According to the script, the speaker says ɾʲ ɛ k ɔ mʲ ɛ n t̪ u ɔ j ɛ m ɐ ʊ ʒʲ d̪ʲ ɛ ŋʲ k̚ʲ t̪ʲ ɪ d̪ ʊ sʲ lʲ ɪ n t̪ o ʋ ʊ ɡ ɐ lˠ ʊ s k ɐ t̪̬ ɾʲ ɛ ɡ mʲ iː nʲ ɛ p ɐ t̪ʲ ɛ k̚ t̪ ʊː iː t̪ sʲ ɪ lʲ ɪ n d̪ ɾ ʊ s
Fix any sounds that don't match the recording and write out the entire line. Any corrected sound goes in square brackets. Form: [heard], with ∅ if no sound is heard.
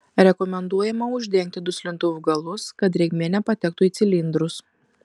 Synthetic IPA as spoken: ɾʲ ɛ k ɔ mʲ ɛ n [d̪] u ɔ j ɛ m ɐ ʊ ʒʲ d̪ʲ ɛ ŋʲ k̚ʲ t̪ʲ ɪ d̪ ʊ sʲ lʲ ɪ n t̪ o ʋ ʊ ɡ ɐ lˠ ʊ s k ɐ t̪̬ ɾʲ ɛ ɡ mʲ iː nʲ ɛ p ɐ t̪ʲ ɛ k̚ t̪ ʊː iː t̪ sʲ ɪ lʲ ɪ n d̪ ɾ ʊ s